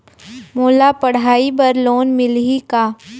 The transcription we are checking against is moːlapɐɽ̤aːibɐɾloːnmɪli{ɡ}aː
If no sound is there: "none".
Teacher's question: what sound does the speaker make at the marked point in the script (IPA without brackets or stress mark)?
k